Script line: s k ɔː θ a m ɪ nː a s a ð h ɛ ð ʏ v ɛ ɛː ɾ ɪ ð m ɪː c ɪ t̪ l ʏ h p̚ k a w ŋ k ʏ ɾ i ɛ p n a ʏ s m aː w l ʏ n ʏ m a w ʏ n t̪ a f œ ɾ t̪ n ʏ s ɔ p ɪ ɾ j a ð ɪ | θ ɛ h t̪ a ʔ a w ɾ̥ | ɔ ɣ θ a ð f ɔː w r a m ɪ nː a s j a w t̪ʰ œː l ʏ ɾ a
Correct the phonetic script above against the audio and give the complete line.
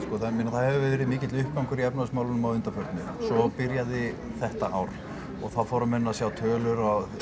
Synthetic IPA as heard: s k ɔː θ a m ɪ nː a θ a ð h ɛ v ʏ v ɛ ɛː ɾ ɪ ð m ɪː c ɪ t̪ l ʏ h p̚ k a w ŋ k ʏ ɾ i ɛ p n a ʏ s m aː w l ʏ n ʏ m a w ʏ n t̪ a f œ ɾ t̪ n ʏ s ɔ p ɪ ɾ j a ð ɪ | θ ɛ h t̪ a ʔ a w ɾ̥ | ɔ ɣ θ a ð f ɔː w ɾ a m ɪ nː a s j a w t̪ʰ œː l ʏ ɾ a